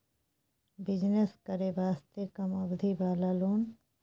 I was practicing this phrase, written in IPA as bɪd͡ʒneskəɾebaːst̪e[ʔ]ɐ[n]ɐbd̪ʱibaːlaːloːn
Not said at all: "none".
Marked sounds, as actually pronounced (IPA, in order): k, m

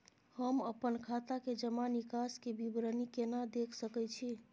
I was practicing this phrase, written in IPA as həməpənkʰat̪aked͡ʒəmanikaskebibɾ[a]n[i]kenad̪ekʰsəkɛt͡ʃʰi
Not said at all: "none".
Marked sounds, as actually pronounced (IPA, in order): ə, i

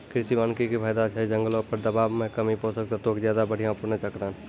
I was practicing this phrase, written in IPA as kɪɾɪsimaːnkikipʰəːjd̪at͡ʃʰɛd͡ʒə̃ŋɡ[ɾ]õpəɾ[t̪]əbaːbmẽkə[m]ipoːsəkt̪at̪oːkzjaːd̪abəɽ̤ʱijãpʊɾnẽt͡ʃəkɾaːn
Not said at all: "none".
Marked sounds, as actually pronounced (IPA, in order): l, d̪, m

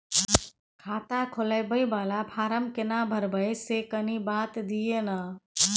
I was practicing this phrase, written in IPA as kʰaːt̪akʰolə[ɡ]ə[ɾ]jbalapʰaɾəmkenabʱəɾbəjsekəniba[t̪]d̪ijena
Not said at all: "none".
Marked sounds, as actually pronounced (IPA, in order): b, none, t̪

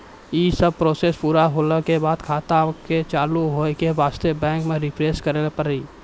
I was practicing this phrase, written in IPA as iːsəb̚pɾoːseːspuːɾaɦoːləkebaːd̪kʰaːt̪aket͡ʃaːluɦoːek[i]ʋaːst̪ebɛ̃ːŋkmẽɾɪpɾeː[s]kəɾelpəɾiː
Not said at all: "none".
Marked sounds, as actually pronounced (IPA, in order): e, s

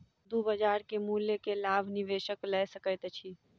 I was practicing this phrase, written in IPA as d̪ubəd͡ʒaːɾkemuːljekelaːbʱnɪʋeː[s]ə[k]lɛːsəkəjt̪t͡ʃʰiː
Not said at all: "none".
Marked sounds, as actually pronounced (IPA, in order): ʃ, k

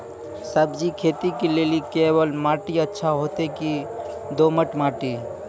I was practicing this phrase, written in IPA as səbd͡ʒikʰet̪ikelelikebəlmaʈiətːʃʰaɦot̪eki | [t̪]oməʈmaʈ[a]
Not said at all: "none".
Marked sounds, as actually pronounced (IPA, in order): d̪, i

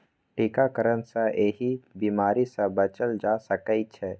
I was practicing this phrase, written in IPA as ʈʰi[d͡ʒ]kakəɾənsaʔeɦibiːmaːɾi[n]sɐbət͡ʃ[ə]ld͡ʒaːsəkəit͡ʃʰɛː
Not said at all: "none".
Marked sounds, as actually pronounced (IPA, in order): none, none, ə

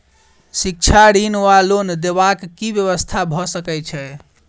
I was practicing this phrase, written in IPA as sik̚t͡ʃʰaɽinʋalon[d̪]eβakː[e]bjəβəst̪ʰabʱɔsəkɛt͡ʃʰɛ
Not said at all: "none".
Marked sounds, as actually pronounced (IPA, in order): d̪, i

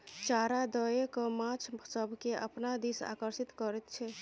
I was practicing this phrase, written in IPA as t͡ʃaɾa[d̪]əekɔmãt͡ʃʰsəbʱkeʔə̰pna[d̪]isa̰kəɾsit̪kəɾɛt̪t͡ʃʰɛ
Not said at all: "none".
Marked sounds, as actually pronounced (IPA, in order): d̪, d̪

